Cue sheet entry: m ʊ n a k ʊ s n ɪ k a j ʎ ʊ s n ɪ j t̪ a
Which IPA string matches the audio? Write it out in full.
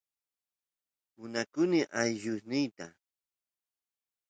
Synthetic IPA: m ʊ n a k ʊ n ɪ ʔ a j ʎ ʊ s n ɪ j t̪ a